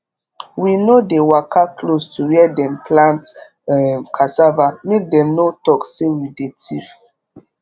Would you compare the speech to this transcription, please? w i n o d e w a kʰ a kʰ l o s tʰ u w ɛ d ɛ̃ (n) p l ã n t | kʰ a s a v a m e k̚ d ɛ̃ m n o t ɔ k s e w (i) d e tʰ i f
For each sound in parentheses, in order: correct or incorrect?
incorrect, correct

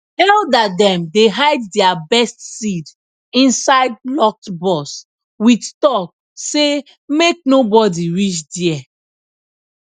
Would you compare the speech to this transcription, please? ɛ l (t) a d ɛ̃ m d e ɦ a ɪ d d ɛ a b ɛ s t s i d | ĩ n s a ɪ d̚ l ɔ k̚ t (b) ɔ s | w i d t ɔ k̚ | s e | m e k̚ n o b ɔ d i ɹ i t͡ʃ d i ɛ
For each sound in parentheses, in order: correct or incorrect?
incorrect, correct

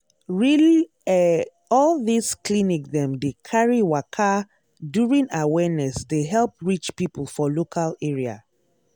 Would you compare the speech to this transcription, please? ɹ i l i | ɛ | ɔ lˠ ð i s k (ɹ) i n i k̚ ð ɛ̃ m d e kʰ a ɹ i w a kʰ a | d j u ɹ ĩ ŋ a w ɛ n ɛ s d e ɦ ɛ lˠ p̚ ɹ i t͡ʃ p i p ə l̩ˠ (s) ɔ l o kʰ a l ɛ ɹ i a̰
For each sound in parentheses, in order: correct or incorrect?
incorrect, incorrect

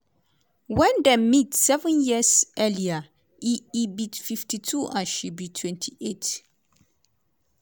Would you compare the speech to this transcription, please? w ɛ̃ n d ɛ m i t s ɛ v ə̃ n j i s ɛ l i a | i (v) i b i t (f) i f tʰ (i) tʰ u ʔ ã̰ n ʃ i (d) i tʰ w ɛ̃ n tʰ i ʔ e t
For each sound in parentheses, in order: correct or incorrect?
incorrect, correct, correct, incorrect

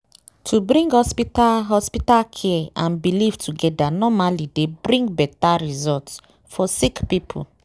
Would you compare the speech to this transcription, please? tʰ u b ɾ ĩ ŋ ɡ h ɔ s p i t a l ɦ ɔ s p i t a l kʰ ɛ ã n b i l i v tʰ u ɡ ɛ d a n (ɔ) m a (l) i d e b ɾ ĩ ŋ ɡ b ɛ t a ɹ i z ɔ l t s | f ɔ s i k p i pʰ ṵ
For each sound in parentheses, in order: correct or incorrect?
correct, correct

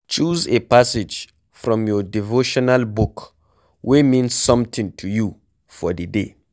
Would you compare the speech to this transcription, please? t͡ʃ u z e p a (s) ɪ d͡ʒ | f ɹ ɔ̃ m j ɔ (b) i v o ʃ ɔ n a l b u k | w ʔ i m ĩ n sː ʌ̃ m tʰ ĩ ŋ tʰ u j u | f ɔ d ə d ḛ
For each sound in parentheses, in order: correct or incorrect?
correct, incorrect

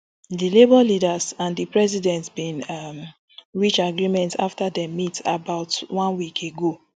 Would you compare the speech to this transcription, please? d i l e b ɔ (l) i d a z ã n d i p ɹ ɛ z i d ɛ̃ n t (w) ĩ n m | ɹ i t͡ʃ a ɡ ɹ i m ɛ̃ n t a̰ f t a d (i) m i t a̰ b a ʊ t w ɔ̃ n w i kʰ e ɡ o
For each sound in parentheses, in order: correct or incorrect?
correct, incorrect, incorrect

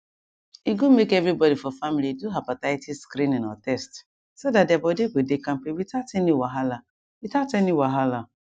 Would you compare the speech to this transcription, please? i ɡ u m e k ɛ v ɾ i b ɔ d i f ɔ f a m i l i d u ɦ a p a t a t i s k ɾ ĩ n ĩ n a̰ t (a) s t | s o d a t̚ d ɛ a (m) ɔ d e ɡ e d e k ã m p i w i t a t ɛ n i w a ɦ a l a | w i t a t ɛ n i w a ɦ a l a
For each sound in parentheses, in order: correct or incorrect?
incorrect, incorrect

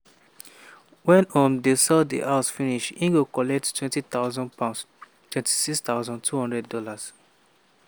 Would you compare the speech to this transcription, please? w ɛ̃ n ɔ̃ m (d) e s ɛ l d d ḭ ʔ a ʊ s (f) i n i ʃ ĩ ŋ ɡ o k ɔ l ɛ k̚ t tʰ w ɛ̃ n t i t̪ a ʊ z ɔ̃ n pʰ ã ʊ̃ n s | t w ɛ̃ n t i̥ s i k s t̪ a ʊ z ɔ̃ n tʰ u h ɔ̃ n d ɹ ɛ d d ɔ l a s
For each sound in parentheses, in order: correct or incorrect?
correct, correct

